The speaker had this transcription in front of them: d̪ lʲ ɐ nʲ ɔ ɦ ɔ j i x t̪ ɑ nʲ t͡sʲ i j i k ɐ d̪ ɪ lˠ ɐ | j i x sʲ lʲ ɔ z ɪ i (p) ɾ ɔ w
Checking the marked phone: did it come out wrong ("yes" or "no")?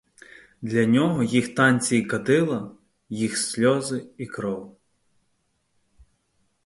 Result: yes